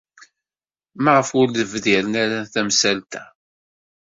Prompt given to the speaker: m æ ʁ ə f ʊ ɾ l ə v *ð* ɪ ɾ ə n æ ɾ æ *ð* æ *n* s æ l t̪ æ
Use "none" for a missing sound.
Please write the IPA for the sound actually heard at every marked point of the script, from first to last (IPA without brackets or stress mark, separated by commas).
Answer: ð, θ, m